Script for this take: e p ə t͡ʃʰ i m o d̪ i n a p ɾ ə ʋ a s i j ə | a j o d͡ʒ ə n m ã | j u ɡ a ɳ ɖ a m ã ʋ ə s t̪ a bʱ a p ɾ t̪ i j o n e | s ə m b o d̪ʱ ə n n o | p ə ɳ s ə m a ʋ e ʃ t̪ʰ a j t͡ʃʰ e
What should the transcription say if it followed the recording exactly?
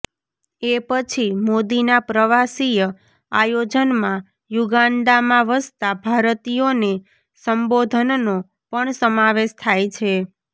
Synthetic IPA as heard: e p ə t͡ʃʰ i m o d̪ i n a p ɾ ə ʋ a s i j ə | a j o d͡ʒ ə n m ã | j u ɡ a ɳ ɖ a m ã ʋ ə s t̪ a bʱ a ɾ t̪ i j o n e | s ə m b o d̪ʱ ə n n o | p ə ɳ s ə m a ʋ e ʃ t̪ʰ a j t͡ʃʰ e